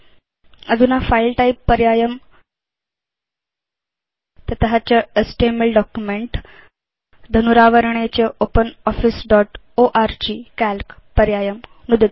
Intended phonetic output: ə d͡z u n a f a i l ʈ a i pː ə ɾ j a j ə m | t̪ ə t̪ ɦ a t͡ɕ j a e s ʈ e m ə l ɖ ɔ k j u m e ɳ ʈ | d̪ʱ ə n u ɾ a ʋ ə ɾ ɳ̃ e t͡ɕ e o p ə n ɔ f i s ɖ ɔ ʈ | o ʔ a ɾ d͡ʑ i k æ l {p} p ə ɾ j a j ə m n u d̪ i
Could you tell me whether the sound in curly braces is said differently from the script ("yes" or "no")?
yes